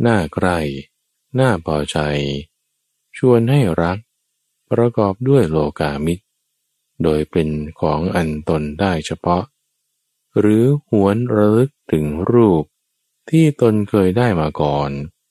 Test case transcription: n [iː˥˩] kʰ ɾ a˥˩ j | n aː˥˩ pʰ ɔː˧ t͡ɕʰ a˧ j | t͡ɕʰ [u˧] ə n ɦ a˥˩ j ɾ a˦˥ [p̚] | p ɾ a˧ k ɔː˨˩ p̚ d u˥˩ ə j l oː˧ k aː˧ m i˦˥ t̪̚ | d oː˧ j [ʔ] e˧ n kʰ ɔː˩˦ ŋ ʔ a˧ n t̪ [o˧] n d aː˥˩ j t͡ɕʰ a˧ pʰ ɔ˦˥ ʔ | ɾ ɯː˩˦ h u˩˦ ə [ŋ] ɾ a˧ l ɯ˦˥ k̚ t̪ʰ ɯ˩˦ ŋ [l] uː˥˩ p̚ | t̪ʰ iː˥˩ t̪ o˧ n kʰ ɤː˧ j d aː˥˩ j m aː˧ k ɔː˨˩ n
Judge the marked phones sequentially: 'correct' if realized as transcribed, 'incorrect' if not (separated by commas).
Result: incorrect, correct, incorrect, incorrect, correct, incorrect, incorrect